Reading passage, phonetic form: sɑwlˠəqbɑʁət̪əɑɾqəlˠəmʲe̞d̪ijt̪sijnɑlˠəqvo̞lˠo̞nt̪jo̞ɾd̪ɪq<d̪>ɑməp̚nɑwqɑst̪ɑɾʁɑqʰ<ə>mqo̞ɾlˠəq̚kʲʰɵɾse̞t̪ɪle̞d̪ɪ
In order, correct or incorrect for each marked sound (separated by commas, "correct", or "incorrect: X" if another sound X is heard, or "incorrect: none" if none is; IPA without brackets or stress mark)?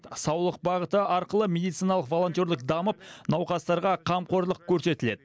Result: correct, incorrect: ɑ